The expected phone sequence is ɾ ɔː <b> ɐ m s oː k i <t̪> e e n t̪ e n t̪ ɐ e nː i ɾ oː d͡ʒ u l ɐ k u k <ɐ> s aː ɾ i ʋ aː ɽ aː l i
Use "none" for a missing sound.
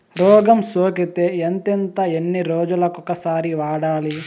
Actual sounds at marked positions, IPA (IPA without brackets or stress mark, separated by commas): ɡ, t̪, ɐ